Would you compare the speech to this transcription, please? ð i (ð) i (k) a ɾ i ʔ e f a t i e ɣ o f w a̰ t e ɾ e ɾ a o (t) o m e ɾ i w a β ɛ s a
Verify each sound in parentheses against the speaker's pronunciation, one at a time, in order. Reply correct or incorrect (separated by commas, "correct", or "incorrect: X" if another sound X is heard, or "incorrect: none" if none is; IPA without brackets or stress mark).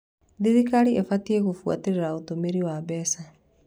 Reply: correct, correct, correct